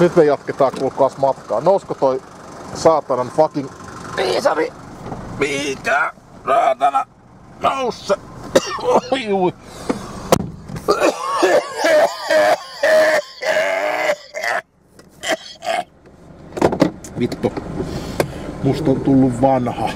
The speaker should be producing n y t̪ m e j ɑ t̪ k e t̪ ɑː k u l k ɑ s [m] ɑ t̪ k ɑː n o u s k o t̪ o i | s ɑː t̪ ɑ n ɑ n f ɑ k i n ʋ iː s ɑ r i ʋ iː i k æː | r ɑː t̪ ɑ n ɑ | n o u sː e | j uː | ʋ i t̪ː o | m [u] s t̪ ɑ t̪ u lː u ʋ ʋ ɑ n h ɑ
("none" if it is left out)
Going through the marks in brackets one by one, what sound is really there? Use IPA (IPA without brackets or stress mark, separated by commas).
m, u